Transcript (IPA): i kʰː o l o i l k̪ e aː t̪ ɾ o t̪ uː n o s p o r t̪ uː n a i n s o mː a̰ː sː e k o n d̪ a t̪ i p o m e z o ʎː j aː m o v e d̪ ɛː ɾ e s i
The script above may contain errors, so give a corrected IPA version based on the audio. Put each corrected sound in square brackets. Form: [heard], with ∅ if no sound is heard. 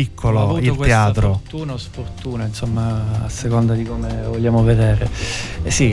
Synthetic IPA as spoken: i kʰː o l o i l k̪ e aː t̪ ɾ o t̪ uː n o s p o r t̪ uː n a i n s o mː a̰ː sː e k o n d̪ a [d̪] i [k] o m e [v] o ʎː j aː m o v e d̪ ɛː ɾ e s i